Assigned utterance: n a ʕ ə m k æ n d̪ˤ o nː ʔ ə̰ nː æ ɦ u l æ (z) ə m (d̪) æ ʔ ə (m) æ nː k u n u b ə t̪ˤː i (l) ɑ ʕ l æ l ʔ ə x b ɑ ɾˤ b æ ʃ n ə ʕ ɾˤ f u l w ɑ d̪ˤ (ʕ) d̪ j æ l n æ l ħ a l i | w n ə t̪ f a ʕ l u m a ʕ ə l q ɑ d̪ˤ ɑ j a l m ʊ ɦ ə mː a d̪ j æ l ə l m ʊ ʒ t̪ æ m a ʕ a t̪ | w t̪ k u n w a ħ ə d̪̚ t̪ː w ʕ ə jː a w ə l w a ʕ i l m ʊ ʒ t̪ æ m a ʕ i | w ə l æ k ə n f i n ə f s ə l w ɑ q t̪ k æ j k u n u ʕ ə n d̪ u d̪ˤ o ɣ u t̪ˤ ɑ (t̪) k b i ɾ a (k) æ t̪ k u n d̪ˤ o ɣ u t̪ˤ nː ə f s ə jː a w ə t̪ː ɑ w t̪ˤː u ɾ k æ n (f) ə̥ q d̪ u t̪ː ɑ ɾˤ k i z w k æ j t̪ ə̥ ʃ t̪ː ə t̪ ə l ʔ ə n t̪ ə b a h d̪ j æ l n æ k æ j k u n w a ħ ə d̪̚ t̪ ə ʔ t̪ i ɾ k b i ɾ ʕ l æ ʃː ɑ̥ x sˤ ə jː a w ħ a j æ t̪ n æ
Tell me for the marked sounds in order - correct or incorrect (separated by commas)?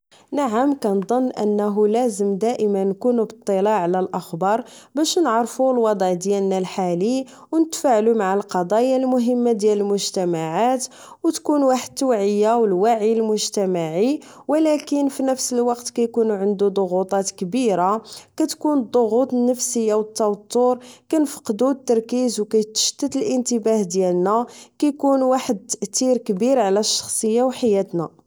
correct, correct, correct, correct, correct, correct, correct, correct